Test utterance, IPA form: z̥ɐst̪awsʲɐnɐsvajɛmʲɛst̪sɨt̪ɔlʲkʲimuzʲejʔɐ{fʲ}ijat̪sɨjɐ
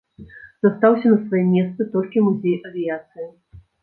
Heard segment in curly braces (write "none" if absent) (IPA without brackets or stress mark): vʲ